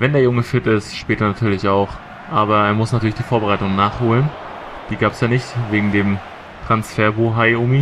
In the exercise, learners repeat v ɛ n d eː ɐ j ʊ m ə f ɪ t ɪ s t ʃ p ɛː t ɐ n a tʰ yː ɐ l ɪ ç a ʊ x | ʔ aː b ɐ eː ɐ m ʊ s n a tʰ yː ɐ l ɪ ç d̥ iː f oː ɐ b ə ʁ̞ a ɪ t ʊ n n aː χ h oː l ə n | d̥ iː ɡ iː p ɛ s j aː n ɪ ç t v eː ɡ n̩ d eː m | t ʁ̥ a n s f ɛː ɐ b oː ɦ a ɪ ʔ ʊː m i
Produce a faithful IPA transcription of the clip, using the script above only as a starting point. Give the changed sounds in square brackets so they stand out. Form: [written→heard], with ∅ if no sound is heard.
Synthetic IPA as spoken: v ɛ n d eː ɐ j ʊ [m→ŋ] ə f ɪ t ɪ s t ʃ p ɛː t ɐ n a tʰ yː ɐ l ɪ ç a ʊ x | ʔ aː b ɐ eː ɐ m ʊ s n a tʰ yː ɐ l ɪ ç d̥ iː f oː ɐ b ə ʁ̞ a ɪ t ʊ [n→ŋ] n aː χ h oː l ə n | d̥ iː ɡ [iː→aː] p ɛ s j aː n ɪ ç t v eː ɡ [n̩→ŋ̩] d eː m | t ʁ̥ a n s f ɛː ɐ b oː ɦ a ɪ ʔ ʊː m i